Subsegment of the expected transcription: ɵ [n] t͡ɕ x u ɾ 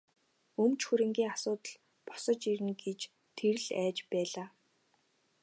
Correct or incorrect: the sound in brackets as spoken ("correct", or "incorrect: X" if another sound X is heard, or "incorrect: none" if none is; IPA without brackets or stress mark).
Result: incorrect: m